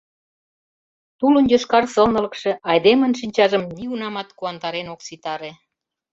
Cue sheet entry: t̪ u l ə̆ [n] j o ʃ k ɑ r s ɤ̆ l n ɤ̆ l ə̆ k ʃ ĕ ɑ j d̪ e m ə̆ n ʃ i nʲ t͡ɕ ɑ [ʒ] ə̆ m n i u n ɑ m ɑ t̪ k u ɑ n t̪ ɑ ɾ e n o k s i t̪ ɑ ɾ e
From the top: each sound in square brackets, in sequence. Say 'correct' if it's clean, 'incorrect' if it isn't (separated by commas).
correct, correct